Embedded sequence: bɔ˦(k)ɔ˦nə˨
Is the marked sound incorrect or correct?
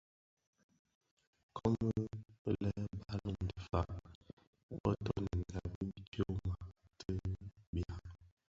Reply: incorrect